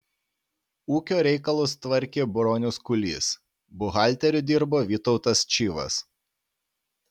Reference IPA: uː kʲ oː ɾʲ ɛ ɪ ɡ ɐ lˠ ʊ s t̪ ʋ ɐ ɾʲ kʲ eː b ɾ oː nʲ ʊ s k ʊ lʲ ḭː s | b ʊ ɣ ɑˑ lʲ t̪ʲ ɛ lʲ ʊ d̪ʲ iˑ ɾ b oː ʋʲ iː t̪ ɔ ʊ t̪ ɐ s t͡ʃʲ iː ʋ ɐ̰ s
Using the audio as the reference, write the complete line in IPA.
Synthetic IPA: uː kʲ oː ɾʲ ɛ ɪ k ɐ lˠ ʊ s t̪ ʋ ɐ ɾʲ kʲ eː b ɾ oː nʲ ʊ s k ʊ lʲ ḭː s | b ʊ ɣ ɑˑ lʲ t̪ʲ ɛ ɾʲ ʊ d̪ʲ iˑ ɾ b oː ʋʲ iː t̪ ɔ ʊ t̪ ɐ s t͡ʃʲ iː ʋ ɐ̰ s